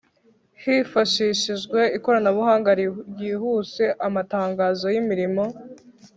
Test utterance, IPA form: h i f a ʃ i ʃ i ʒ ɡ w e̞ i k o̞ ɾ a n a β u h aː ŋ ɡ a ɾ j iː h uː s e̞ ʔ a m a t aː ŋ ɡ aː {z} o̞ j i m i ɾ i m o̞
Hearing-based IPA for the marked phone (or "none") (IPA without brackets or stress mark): z